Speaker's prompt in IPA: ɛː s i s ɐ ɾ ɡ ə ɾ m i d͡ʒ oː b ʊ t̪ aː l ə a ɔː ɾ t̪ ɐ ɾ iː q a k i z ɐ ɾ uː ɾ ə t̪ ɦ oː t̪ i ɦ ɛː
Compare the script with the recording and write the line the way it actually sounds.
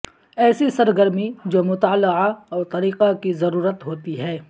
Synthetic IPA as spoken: ɛː s i s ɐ ɾ ɡ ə ɾ m i d͡ʒ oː m ʊ t̪ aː l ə a ɔː ɾ t̪ ɐ ɾ iː q a k i z ɐ ɾ uː ɾ ə t̪ ɦ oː t̪ i ɦ ɛː